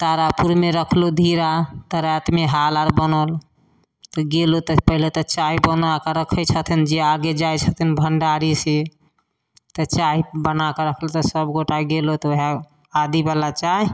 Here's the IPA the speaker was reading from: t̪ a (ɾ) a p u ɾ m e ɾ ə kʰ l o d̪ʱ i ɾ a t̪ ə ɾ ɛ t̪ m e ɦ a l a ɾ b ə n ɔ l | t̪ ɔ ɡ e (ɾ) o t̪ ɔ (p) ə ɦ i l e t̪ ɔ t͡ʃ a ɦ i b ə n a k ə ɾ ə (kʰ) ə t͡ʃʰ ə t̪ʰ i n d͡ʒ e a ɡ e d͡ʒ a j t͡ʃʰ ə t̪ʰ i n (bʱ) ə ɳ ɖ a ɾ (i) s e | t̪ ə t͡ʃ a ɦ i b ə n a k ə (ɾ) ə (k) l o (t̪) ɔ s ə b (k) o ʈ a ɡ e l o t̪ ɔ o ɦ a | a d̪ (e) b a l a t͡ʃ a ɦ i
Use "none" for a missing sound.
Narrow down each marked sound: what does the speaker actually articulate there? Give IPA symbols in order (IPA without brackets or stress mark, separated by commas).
ɾ, l, p, kʰ, bʱ, i, ɾ, kʰ, t̪, ɡ, i